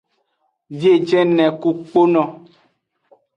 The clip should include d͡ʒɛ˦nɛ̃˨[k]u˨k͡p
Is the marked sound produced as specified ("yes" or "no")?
yes